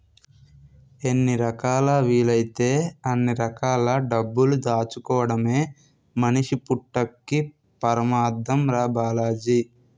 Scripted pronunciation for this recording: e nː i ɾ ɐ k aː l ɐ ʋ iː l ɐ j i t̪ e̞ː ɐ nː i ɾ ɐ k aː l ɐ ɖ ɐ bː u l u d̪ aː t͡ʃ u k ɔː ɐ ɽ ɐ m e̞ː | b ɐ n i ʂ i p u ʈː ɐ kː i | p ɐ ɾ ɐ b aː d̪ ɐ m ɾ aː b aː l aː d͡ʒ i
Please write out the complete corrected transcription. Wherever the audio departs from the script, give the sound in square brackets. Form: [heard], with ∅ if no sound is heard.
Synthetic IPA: e nː i ɾ ɐ k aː l ɐ ʋ iː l ɐ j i t̪ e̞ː ɐ nː i ɾ ɐ k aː l ɐ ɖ ɐ bː u l u d̪ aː t͡ʃ u k ɔː ɐ ɽ ɐ m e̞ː | [m] ɐ n i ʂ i p u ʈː ɐ kː i | p ɐ ɾ ɐ [m] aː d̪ ɐ m ɾ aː b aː l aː d͡ʒ i

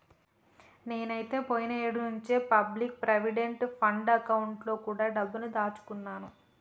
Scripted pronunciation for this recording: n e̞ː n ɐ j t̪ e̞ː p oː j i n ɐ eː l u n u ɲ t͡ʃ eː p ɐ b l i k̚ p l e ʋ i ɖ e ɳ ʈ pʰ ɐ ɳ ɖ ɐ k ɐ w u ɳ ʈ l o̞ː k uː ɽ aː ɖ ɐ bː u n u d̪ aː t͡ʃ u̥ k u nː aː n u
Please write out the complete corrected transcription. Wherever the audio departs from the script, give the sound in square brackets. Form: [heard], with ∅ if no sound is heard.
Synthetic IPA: n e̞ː n ɐ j t̪ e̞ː p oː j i n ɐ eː [ɽ] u n u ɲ t͡ʃ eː p ɐ b l i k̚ p [ɾ] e ʋ i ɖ e ɳ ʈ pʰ ɐ ɳ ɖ ɐ k ɐ w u ɳ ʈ l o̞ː k uː ɽ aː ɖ ɐ bː u n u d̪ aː t͡ʃ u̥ k u nː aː n u

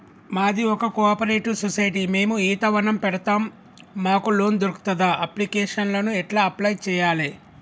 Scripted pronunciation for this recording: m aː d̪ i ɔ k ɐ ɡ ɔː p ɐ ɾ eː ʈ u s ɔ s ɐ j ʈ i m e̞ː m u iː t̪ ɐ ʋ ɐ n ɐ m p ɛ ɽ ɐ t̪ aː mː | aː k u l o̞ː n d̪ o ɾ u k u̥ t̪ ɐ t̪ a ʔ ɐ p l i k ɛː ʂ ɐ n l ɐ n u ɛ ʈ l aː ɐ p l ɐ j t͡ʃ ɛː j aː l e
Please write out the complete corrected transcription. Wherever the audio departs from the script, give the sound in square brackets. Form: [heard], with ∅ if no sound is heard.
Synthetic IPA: m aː d̪ i ɔ k ɐ [k] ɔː p ɐ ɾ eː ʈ u s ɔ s ɐ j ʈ i m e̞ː m u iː t̪ ɐ ʋ ɐ n ɐ m p ɛ ɽ ɐ t̪ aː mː | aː k u l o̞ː n d̪ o ɾ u k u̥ t̪ ɐ [d̪] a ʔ ɐ p l i k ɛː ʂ ɐ n l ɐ n u ɛ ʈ l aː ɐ p l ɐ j t͡ʃ ɛː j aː l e

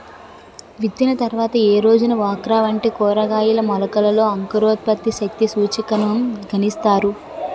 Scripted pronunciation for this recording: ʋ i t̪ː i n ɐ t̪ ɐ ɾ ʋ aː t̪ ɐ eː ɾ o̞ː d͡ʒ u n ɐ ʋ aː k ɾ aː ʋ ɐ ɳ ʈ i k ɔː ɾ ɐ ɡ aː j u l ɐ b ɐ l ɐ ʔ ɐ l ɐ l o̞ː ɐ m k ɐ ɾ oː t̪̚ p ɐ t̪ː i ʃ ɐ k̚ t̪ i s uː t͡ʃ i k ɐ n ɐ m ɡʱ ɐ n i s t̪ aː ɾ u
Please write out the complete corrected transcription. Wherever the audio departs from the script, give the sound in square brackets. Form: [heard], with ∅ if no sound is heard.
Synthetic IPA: ʋ i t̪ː i n ɐ t̪ ɐ ɾ ʋ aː t̪ ɐ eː ɾ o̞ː d͡ʒ u n ɐ ʋ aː k ɾ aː ʋ ɐ ɳ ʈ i k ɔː ɾ ɐ ɡ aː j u l ɐ [m] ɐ l ɐ [k] ɐ l ɐ l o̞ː ɐ [ŋ] k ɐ ɾ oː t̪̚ p ɐ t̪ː i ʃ ɐ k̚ t̪ i s uː t͡ʃ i k ɐ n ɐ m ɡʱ ɐ n i s t̪ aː ɾ u

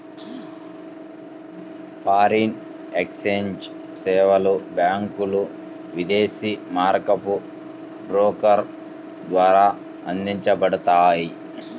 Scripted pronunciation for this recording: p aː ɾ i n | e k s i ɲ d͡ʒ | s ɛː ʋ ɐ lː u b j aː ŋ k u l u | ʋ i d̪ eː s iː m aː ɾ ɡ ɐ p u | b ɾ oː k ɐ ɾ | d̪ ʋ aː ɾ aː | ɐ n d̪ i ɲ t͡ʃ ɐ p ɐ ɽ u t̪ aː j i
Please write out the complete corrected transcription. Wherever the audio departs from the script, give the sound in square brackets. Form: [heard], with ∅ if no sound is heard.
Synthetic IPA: p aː ɾ i n | e k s [e] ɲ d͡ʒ | s ɛː ʋ ɐ [l] u b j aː ŋ k u l u | ʋ i d̪ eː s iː m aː ɾ [k] ɐ p u | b ɾ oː k ɐ ɾ | d̪ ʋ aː ɾ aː | ɐ n d̪ i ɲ t͡ʃ ɐ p ɐ ɽ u t̪ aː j i

